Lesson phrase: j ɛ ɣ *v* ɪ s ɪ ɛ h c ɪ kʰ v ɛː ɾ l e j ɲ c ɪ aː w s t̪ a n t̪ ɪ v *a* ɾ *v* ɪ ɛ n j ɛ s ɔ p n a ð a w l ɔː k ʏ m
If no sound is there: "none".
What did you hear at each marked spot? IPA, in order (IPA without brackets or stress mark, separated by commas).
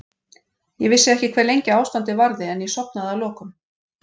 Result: v, a, ð